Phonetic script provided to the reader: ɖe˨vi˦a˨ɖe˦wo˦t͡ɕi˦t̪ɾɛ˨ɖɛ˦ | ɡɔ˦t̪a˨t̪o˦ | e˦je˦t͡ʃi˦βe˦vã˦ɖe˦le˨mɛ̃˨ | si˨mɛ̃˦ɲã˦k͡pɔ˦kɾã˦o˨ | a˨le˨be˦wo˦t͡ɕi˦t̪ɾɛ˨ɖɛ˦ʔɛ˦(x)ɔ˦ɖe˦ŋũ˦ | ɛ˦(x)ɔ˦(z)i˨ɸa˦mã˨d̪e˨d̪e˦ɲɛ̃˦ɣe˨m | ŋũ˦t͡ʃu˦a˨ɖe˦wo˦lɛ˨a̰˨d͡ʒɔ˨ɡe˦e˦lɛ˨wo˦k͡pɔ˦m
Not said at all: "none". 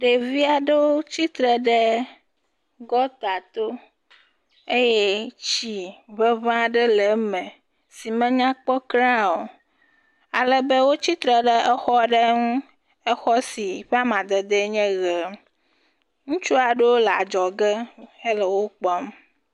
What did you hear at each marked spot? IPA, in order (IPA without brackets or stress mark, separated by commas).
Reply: x, x, s